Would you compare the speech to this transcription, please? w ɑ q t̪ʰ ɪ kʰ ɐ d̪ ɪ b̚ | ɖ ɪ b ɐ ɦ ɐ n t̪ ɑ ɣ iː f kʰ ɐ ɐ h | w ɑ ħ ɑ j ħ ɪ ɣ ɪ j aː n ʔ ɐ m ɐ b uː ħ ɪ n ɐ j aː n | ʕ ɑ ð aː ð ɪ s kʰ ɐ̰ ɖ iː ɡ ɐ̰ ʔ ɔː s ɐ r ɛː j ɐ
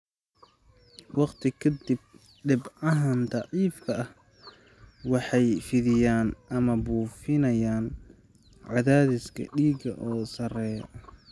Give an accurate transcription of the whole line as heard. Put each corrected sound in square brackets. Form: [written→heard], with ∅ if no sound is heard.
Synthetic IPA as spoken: w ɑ q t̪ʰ ɪ kʰ ɐ d̪ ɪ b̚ | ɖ ɪ b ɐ ɦ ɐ n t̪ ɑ [ɣ→ʕ] iː f kʰ ɐ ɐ h | w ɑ ħ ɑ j [ħ→f] ɪ [ɣ→ð] ɪ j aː n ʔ ɐ m ɐ b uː [ħ→f] ɪ n ɐ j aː n | ʕ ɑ ð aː ð ɪ s kʰ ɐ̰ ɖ iː ɡ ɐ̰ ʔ ɔː s ɐ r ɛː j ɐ